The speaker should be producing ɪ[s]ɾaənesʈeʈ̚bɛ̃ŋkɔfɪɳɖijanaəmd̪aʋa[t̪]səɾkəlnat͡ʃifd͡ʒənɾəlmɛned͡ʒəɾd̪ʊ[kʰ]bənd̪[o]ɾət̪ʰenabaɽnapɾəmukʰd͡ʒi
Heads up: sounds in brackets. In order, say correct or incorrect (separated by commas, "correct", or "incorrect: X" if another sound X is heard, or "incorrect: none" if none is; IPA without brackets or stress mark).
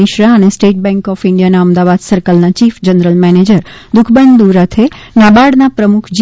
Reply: incorrect: ʃ, incorrect: d̪, correct, incorrect: u